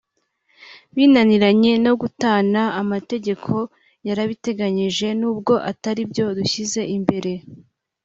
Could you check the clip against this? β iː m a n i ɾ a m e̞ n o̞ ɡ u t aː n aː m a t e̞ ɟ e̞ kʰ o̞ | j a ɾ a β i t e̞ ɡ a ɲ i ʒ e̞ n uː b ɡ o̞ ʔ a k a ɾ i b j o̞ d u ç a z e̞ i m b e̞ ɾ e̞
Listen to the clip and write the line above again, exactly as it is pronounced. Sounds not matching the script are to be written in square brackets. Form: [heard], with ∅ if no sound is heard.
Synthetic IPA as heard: β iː [n] a n i ɾ a [ɲ] e̞ n o̞ ɡ u t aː n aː m a t e̞ ɟ e̞ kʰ o̞ | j a ɾ a β i t e̞ ɡ a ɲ i ʒ e̞ n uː b ɡ o̞ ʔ a [t] a ɾ i b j o̞ d u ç [i] z e̞ i m b e̞ ɾ e̞